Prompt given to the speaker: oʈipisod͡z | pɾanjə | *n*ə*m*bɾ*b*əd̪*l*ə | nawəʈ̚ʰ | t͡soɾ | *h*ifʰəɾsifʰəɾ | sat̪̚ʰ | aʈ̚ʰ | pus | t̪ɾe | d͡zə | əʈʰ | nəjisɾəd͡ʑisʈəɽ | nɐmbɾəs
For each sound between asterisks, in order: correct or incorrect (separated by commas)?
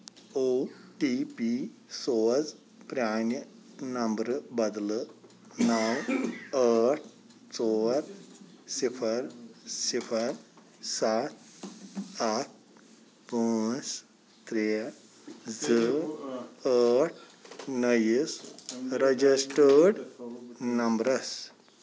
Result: correct, correct, correct, correct, incorrect